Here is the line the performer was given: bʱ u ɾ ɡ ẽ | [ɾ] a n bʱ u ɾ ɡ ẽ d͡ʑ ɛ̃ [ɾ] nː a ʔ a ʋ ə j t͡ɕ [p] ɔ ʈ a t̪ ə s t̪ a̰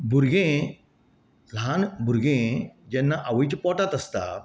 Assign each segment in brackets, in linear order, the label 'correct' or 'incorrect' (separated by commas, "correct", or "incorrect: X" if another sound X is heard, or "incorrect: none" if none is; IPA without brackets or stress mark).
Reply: incorrect: l, incorrect: none, correct